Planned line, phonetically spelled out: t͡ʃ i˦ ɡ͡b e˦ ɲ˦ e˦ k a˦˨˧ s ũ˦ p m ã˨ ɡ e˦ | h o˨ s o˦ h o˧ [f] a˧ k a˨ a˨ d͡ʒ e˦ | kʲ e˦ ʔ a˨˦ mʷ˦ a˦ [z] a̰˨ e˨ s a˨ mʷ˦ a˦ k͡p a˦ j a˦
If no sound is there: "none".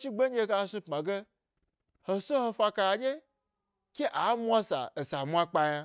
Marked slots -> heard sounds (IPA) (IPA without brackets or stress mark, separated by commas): f, s